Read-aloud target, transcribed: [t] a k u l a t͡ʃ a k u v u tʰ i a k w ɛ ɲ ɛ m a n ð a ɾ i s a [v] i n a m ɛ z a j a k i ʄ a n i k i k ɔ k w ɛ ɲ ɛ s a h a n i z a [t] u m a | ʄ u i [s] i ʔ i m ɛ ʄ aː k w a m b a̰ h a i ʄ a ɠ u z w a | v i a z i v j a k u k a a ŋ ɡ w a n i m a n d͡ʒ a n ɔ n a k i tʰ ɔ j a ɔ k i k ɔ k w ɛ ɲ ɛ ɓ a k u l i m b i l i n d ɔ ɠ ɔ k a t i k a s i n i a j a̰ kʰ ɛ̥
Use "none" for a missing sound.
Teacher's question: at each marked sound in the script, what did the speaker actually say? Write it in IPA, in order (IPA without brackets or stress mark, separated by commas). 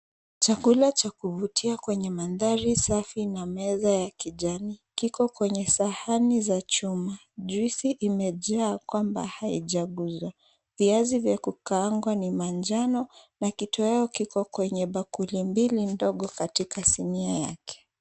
t͡ʃ, f, t͡ʃ, s